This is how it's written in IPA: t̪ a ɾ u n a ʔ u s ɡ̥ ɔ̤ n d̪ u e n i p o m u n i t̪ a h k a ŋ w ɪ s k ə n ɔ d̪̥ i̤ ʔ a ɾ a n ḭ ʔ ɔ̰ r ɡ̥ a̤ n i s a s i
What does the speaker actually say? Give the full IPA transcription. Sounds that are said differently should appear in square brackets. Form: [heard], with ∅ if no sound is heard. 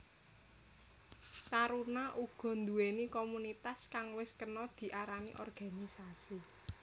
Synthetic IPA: t̪ a ɾ u n a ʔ u [∅] ɡ̥ ɔ̤ n d̪ u e n i [k] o m u n i t̪ a [s] k a ŋ w ɪ s k ə n ɔ d̪̥ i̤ ʔ a ɾ a n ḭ ʔ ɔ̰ r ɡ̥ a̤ n i s a s i